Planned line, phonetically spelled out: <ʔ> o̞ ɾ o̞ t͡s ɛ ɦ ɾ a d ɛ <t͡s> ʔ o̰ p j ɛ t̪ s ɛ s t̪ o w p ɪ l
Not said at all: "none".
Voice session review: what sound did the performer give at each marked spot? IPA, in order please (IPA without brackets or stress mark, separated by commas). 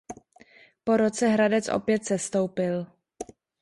p, t͡s